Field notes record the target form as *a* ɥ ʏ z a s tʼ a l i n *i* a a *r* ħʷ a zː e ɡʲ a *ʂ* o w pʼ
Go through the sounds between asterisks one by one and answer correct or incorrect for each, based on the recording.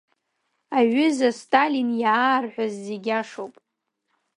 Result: correct, incorrect: j, correct, correct

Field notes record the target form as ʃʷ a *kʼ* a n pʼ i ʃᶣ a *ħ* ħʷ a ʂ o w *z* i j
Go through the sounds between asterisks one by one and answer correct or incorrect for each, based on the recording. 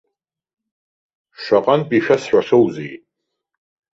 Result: incorrect: qʼ, incorrect: s, correct

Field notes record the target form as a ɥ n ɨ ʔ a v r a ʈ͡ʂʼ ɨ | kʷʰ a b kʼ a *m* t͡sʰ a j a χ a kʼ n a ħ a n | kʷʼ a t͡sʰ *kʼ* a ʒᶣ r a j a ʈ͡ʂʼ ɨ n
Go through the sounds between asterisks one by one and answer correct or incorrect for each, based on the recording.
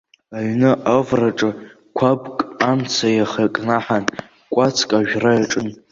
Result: correct, correct

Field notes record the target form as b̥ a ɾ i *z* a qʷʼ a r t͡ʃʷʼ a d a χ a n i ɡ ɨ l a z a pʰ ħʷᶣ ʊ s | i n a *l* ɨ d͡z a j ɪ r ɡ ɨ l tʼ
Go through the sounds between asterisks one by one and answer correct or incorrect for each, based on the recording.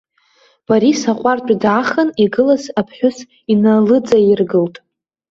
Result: incorrect: s, correct

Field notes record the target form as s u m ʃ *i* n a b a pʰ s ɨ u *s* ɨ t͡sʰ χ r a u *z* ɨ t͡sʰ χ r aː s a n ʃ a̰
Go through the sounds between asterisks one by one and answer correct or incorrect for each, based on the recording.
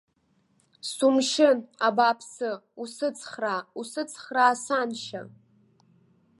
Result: incorrect: ɪ, correct, incorrect: s

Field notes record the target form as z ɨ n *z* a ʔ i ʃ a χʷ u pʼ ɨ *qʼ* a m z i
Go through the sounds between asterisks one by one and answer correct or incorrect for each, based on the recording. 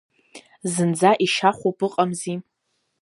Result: incorrect: d͡z, correct

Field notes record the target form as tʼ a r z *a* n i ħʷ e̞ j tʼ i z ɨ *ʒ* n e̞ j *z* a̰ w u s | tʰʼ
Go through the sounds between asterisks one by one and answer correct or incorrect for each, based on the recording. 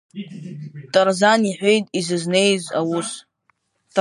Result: correct, incorrect: z, correct

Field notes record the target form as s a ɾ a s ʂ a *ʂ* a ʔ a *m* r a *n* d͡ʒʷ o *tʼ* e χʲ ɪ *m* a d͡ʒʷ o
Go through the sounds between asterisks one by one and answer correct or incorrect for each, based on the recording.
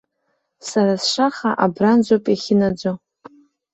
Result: incorrect: χ, incorrect: b, correct, incorrect: pʼ, incorrect: n

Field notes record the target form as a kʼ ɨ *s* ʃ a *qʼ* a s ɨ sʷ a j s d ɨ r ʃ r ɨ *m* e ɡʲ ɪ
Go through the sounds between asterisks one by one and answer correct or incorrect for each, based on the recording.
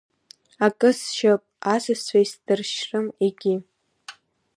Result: correct, incorrect: pʼ, correct

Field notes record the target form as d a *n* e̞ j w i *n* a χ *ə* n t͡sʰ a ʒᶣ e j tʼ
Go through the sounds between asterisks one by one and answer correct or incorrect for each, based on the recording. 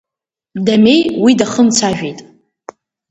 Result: incorrect: m, incorrect: d, correct

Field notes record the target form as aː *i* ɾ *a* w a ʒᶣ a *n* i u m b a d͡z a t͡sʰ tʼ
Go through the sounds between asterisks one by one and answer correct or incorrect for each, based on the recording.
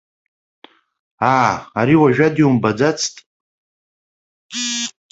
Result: incorrect: a, incorrect: i, incorrect: d

